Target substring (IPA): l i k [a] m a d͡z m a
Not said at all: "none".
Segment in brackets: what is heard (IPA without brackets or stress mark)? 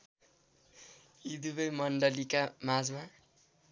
a